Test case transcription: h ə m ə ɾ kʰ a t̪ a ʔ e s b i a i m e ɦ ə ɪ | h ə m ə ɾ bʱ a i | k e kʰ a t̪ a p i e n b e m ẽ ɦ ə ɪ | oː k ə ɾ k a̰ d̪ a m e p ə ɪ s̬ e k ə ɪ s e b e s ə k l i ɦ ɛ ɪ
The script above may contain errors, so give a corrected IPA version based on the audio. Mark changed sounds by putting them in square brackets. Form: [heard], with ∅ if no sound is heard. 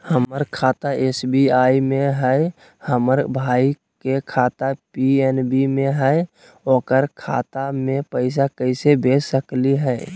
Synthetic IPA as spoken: h ə m ə ɾ kʰ a t̪ a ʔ e s b i a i m e ɦ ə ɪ | h ə m ə ɾ bʱ a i | k e kʰ a t̪ a p i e n b [i] m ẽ ɦ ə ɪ | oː k ə ɾ [kʰ] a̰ [t̪] a m e p ə ɪ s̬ [a] k ə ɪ s e b e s ə k l i ɦ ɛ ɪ